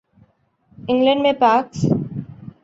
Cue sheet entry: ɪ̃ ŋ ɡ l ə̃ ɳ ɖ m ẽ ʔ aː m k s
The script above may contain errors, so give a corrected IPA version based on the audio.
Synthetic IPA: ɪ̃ ŋ ɡ l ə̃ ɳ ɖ m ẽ p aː k s